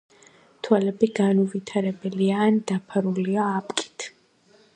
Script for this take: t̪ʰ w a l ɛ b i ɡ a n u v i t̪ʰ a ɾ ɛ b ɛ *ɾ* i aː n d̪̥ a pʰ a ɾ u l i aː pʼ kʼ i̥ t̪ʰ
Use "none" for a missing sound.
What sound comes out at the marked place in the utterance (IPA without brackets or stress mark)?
l